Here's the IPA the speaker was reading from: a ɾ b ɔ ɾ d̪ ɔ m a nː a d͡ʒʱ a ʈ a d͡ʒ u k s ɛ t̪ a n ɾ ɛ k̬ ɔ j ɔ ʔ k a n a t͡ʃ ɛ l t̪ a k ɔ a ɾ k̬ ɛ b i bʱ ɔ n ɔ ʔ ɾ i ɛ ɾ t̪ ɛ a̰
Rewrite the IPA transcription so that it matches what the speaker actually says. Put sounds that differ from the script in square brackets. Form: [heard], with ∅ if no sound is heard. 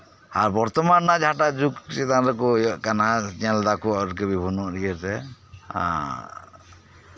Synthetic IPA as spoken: a ɾ b ɔ ɾ [t̪] ɔ m a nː a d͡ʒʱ a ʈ a d͡ʒ u k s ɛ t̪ a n ɾ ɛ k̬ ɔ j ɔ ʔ k a n a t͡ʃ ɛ l [d̪] a k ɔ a ɾ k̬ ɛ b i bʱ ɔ n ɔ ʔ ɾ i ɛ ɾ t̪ ɛ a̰

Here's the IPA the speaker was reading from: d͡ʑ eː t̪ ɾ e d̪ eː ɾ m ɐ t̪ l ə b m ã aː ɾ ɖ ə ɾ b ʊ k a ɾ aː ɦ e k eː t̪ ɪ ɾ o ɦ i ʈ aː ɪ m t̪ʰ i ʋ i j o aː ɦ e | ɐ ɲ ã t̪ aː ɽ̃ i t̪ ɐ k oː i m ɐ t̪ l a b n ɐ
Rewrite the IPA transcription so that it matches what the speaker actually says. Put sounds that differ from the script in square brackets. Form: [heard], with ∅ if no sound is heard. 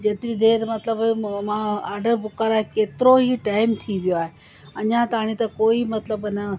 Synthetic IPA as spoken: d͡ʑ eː t̪ ɾ [i] d̪ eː ɾ m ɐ t̪ l ə b m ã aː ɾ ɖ ə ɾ b ʊ k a ɾ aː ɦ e k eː t̪ ɪ ɾ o ɦ i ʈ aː ɪ m t̪ʰ i ʋ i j o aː ɦ e | ɐ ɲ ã t̪ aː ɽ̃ i t̪ ɐ k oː i m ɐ t̪ l [ə] b n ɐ

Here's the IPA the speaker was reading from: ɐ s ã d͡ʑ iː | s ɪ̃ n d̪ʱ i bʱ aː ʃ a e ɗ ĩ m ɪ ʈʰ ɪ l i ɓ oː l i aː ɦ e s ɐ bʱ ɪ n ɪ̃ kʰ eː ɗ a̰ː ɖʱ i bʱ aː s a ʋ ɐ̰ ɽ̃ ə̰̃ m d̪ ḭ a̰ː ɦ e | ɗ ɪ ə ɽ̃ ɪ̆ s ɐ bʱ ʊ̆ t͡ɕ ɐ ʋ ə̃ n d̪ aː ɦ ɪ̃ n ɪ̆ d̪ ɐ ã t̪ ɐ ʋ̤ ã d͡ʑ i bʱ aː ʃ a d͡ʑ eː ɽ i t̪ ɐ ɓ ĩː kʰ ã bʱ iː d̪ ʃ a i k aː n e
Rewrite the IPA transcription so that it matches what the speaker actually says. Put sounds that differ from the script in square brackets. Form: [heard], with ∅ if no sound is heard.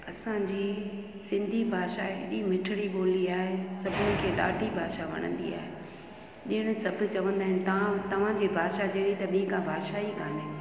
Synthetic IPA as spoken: ɐ s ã d͡ʑ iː | s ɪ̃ n d̪ʱ i bʱ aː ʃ a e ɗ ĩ m ɪ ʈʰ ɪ [ɽ] i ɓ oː l i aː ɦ e s ɐ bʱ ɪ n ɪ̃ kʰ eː ɗ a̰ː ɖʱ i bʱ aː [ʃ] a ʋ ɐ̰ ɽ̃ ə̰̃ [n] d̪ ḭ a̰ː ɦ e | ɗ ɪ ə ɽ̃ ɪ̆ s ɐ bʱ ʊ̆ t͡ɕ ɐ ʋ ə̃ n d̪ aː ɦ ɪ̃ n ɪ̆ [t̪] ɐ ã t̪ ɐ ʋ̤ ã d͡ʑ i bʱ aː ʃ a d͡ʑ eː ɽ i t̪ ɐ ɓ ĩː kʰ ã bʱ [aː] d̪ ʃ a i k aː n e

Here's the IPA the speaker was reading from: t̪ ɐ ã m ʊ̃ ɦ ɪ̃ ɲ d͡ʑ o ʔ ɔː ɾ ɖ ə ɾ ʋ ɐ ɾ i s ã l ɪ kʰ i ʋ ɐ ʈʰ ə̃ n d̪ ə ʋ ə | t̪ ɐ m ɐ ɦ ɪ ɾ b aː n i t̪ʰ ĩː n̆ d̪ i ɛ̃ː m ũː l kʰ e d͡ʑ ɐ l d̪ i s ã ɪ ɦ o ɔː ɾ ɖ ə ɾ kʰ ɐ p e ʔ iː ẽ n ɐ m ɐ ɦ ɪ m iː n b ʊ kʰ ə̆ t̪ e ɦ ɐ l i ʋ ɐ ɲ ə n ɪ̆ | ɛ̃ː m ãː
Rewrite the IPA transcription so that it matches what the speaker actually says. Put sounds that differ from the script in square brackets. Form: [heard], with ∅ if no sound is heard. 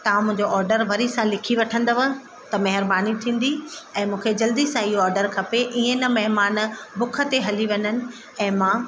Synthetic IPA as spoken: t̪ ɐ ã m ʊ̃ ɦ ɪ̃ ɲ d͡ʑ o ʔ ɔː ɾ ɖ ə ɾ ʋ ɐ ɾ i s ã l ɪ kʰ i ʋ ɐ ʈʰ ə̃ n d̪ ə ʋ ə | t̪ ɐ m ɐ ɦ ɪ ɾ b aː n i t̪ʰ ĩː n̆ d̪ i ɛ̃ː m ũː [∅] kʰ e d͡ʑ ɐ l d̪ i s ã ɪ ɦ o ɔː ɾ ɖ ə ɾ kʰ ɐ p e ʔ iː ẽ n ɐ m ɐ ɦ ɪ m [aː] n b ʊ kʰ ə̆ t̪ e ɦ ɐ l i ʋ ɐ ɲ ə n ɪ̆ | ɛ̃ː m ãː

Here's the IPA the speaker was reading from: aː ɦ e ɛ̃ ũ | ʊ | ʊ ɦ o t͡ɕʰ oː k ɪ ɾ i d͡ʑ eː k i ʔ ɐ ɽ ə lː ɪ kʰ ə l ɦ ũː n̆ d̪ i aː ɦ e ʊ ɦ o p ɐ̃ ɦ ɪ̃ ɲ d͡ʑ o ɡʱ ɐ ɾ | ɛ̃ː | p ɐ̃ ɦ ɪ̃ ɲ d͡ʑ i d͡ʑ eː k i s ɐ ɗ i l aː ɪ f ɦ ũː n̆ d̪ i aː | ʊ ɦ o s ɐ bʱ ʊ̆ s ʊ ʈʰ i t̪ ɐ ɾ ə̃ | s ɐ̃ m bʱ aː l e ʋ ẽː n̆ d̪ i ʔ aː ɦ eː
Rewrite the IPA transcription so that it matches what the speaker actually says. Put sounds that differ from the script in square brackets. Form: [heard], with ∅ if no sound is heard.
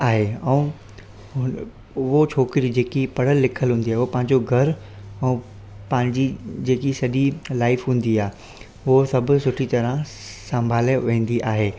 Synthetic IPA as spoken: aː ɦ e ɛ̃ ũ | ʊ | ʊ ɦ o t͡ɕʰ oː k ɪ ɾ i d͡ʑ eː k i [p] ɐ ɽ ə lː ɪ kʰ ə l ɦ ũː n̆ d̪ i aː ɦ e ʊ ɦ o p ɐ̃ ɦ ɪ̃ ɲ d͡ʑ o ɡʱ ɐ ɾ | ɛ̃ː | p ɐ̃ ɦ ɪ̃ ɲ d͡ʑ i d͡ʑ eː k i s ɐ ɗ i l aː ɪ f ɦ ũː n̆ d̪ i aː | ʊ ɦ o s ɐ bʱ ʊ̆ s ʊ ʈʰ i t̪ ɐ ɾ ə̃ | s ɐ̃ m bʱ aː l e ʋ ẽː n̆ d̪ i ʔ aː ɦ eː

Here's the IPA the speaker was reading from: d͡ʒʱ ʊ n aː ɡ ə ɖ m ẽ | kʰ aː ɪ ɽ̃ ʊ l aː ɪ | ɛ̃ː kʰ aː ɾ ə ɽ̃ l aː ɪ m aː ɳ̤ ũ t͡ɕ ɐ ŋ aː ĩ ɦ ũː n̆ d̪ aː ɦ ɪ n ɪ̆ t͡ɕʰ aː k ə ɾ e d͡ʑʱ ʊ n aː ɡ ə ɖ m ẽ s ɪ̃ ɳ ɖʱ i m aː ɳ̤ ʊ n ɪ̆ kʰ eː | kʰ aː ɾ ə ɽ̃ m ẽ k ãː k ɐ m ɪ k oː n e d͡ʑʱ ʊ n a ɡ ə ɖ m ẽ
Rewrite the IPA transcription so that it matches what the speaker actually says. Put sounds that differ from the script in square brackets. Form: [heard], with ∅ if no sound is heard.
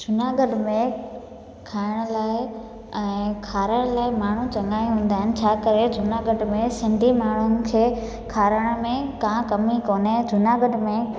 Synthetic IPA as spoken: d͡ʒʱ ʊ n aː ɡ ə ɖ m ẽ | kʰ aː ɪ ɽ̃ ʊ l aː ɪ | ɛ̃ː kʰ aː ɾ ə ɽ̃ l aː ɪ m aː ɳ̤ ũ t͡ɕ ɐ ŋ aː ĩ ɦ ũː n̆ d̪ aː ɦ ɪ n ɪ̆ t͡ɕʰ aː k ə ɾ e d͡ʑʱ ʊ n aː ɡ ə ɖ m ẽ s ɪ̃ ɳ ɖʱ i m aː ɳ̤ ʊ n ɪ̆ kʰ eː | kʰ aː ɾ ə ɽ̃ m ẽ k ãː k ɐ m [i] k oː n e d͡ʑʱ ʊ n a ɡ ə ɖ m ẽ

